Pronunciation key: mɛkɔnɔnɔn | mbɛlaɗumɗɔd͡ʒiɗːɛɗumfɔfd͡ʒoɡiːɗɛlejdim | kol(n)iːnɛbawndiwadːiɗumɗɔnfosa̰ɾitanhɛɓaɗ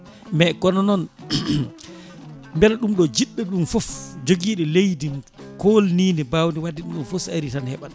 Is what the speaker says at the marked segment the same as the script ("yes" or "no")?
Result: yes